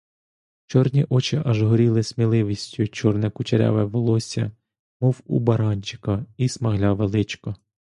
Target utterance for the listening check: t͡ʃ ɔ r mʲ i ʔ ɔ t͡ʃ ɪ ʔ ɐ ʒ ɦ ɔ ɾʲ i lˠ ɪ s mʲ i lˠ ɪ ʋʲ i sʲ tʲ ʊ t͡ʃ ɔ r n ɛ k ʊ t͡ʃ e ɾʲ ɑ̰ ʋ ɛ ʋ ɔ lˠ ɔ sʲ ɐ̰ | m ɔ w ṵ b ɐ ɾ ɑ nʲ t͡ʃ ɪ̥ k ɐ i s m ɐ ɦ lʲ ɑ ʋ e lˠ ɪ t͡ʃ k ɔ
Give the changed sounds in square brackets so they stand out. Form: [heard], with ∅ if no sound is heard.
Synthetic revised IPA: t͡ʃ ɔ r [nʲ] i ʔ ɔ t͡ʃ ɪ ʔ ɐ ʒ ɦ ɔ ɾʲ i lˠ ɪ s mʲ i lˠ ɪ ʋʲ i sʲ tʲ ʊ t͡ʃ ɔ r n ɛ k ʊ t͡ʃ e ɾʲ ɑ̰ ʋ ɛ ʋ ɔ lˠ ɔ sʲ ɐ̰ | m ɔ w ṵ b ɐ ɾ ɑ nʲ t͡ʃ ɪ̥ k ɐ i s m ɐ ɦ lʲ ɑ ʋ e lˠ ɪ t͡ʃ k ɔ